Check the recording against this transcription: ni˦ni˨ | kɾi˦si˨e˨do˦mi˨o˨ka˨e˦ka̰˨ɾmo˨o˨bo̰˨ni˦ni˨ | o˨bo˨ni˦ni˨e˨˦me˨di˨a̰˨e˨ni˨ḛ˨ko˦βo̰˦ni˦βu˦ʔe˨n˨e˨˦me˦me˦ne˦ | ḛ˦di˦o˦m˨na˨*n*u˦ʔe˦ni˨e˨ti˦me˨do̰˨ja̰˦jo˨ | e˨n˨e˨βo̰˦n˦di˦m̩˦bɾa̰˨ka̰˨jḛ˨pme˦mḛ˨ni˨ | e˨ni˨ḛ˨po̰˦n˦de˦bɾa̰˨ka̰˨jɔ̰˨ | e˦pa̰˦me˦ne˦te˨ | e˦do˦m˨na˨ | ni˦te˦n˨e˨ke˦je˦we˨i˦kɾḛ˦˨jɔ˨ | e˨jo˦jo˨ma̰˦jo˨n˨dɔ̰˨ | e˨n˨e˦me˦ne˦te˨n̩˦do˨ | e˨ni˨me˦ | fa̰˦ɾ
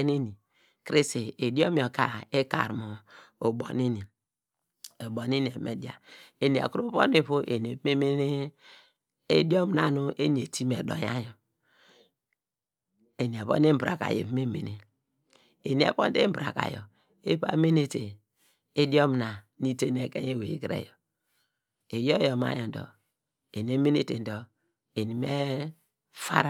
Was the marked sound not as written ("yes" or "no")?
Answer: no